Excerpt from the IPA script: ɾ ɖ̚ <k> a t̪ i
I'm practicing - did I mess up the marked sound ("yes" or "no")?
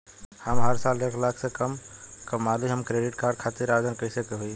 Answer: yes